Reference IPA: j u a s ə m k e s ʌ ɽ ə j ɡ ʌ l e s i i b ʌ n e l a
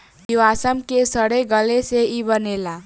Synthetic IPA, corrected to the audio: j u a s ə m k e s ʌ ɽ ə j ɡ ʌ l e s e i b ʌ n e l a